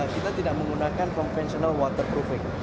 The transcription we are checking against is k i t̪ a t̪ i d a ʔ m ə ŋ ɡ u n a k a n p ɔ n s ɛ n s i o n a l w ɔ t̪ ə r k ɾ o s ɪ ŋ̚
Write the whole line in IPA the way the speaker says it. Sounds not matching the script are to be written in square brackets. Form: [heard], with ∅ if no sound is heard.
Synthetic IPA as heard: k i t̪ a t̪ i d a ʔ m ə ŋ ɡ u n a k a n [k] ɔ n [f] ɛ n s i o n a l w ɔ t̪ ə r [p] ɾ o [f] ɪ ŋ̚

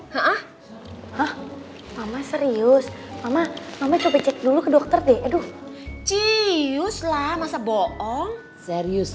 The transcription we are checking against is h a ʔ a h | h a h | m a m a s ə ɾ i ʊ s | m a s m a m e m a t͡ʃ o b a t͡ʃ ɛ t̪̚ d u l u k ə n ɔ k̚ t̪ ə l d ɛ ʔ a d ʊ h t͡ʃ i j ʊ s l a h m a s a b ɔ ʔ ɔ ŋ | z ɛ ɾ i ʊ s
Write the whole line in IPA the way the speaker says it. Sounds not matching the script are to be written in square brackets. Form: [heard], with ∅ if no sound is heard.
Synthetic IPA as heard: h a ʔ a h | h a h | m a m a s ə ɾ i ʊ s | m a [∅] m a m [a] m a t͡ʃ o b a t͡ʃ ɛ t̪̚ d u l u k ə [d] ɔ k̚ t̪ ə [r] d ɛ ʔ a d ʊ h t͡ʃ i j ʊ s l a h m a s a b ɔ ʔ ɔ ŋ | [s] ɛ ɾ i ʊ s

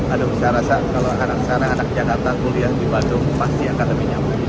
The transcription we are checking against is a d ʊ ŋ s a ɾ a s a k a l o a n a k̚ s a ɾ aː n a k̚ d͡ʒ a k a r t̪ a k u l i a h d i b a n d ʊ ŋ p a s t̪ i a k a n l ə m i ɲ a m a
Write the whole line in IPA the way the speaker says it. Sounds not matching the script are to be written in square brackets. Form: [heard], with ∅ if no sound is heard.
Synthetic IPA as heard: a d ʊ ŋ s a ɾ a s a k a l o a n a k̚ s a ɾ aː n a k̚ d͡ʒ a k a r t̪ a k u l i a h d i b a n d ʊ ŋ p a s t̪ i a k a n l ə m i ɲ a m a

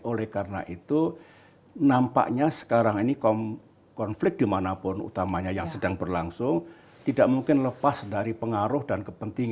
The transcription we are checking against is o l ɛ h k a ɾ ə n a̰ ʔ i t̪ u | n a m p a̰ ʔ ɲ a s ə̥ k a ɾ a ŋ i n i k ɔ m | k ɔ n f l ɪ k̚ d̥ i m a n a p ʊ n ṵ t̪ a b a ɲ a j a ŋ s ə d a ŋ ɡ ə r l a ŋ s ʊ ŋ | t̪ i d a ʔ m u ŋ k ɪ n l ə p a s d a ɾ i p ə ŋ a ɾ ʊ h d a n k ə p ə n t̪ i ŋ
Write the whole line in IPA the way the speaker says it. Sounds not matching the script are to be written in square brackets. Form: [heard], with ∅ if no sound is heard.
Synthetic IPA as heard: o l ɛ h k a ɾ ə n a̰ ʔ i t̪ u | n a m p a̰ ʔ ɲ a s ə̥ k a ɾ a ŋ i n i k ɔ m | k ɔ n f l ɪ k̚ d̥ i m a n a p ʊ n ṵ t̪ a [m] a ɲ a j a ŋ s ə d a ŋ [b] ə r l a ŋ s ʊ ŋ | t̪ i d a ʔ m u ŋ k ɪ n l ə p a s d a ɾ i p ə ŋ a ɾ ʊ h d a n k ə p ə n t̪ i ŋ

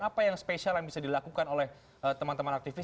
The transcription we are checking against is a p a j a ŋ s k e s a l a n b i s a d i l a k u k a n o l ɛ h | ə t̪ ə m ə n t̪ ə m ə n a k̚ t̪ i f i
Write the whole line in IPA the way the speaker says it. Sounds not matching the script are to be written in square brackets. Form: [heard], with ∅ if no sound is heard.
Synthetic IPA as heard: a p a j a ŋ s [p] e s a l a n b i s a d i l a k u k a n o l ɛ h | ə t̪ ə m [a] n t̪ ə m [a] n a k̚ t̪ i f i

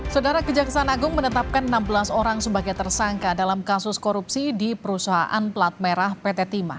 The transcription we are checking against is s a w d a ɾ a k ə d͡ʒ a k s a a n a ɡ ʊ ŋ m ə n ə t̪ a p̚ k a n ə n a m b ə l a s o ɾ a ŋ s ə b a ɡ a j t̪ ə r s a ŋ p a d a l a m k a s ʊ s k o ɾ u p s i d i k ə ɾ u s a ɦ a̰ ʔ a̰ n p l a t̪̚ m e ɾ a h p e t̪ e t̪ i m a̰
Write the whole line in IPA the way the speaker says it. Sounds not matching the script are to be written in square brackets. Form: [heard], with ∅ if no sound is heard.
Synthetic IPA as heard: s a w d a ɾ a k ə d͡ʒ a k s a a n a ɡ ʊ ŋ m ə n ə t̪ a p̚ k a n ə n a m b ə l a s o ɾ a ŋ s ə b a ɡ a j t̪ ə r s a ŋ [k] a d a l a m k a s ʊ s k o ɾ u p s i d i [p] ə ɾ u s a ɦ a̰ ʔ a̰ n p l a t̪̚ m e ɾ a h p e t̪ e t̪ i m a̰

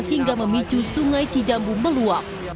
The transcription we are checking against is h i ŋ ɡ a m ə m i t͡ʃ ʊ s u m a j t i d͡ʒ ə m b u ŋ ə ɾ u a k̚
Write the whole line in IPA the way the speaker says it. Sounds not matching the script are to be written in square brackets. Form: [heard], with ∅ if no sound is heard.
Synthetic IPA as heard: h i ŋ ɡ a m ə m i t͡ʃ [u] s u [ŋ] a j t i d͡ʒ [a] m b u [m] ə [l] u a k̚

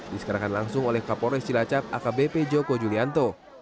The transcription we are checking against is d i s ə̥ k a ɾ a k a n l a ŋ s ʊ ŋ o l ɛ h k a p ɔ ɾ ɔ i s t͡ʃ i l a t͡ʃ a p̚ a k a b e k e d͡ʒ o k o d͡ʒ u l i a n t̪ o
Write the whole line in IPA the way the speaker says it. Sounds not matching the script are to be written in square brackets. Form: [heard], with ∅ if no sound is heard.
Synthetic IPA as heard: d i s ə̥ k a ɾ a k a n l a ŋ s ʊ ŋ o l ɛ h k a p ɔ ɾ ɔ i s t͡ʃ i l a t͡ʃ a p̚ a k a b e [p] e d͡ʒ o k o d͡ʒ u l i a n t̪ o

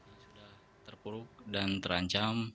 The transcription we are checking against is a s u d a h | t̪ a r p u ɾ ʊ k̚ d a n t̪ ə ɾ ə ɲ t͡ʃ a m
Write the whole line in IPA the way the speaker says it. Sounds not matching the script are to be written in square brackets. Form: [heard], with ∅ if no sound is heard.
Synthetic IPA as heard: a s u d a h | t̪ [ə] r p u ɾ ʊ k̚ d a n t̪ ə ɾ [a] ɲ t͡ʃ a m

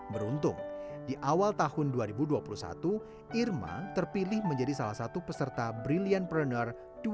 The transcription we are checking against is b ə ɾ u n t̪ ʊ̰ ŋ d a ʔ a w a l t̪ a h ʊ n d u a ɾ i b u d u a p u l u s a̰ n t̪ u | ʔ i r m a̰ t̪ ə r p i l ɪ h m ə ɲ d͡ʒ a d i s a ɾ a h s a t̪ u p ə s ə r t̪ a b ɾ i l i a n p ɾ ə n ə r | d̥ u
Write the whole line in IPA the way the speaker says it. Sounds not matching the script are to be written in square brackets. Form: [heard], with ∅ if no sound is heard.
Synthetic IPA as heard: b ə ɾ u n t̪ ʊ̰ ŋ d [i] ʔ a w a l t̪ a h ʊ n d u a ɾ i b u d u a p u l u s a̰ [∅] t̪ u | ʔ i r m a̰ t̪ ə r p i l ɪ h m ə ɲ d͡ʒ a d i s a [l] a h s a t̪ u p ə s ə r t̪ a b ɾ i l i a n p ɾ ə n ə r | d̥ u

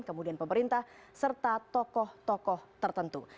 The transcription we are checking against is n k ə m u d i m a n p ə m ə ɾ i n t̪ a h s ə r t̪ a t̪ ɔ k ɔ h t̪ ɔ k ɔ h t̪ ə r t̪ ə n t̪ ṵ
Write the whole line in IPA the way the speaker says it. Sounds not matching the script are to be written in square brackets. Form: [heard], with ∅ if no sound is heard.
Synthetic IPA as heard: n k ə m u d i [∅] a n p ə m ə ɾ i n t̪ a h s ə r t̪ a t̪ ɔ k ɔ h t̪ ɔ k ɔ h t̪ ə r t̪ ə n t̪ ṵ

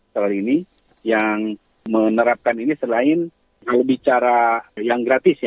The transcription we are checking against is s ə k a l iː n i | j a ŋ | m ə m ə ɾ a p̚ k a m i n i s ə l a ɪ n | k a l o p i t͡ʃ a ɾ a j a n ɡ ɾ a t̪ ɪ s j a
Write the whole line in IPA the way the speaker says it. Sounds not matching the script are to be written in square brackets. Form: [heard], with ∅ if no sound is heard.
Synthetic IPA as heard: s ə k a l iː n i | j a ŋ | m ə [n] ə ɾ a p̚ k a [n] i n i s ə l a ɪ n | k a l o [b] i t͡ʃ a ɾ a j a [ŋ] ɡ ɾ a t̪ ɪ s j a

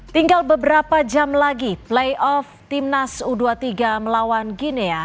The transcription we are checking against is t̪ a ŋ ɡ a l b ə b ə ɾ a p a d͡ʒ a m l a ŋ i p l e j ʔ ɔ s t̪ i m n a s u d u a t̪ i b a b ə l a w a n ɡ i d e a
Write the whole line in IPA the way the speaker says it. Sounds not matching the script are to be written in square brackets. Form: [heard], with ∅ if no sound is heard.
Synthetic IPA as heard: t̪ [i] ŋ ɡ a l b ə b ə ɾ a p a d͡ʒ a m l a [ɡ] i p l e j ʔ ɔ [f] t̪ i m n a s u d u a t̪ i [ɡ] a [m] ə l a w a n ɡ i [n] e a

